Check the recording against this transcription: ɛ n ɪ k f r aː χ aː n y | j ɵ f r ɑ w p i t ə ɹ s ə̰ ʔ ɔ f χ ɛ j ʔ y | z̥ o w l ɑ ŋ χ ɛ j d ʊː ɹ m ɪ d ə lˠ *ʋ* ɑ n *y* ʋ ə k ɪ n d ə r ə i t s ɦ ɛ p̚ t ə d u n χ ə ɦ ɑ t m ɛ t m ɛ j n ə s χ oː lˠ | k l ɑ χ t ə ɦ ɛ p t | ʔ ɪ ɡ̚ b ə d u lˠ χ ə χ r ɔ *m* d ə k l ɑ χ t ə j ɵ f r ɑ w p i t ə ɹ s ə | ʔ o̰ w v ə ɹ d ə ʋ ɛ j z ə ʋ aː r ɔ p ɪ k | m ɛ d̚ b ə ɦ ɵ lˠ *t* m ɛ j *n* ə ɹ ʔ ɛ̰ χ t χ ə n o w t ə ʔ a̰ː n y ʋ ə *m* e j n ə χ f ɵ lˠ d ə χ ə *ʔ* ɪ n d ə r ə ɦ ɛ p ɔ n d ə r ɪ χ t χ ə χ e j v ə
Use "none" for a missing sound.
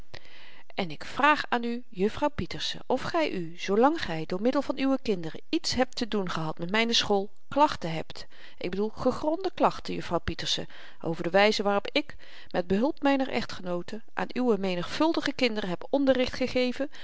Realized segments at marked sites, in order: v, y, n, p, n, m, k

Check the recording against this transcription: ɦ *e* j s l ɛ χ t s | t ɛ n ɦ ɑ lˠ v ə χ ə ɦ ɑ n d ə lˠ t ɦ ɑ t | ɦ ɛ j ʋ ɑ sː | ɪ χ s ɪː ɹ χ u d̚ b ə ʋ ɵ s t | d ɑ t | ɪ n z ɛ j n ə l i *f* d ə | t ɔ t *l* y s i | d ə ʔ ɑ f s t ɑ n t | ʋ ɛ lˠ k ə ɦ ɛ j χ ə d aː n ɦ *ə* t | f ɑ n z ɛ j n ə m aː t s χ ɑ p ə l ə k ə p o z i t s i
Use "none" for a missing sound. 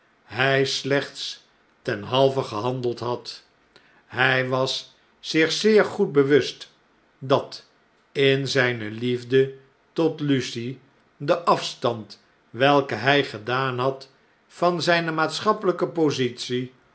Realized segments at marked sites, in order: ɛ, v, l, ɑ

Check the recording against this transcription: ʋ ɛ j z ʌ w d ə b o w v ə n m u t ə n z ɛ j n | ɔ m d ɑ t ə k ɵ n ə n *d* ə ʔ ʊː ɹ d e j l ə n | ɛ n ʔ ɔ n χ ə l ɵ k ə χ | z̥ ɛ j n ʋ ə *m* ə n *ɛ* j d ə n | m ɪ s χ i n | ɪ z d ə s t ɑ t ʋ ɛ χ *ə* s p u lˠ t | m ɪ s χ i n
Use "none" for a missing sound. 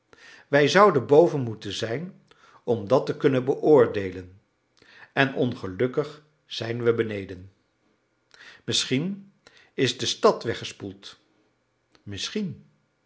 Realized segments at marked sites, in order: b, b, e, ə

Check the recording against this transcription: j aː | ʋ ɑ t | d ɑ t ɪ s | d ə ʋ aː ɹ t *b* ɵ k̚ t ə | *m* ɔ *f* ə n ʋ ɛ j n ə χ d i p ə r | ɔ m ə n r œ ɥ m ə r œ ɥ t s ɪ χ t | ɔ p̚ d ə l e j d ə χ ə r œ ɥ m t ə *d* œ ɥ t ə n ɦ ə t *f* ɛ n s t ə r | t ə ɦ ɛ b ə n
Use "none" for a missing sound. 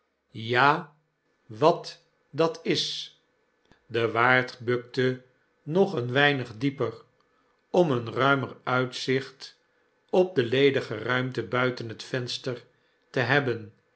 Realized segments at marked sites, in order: b, n, χ, b, f

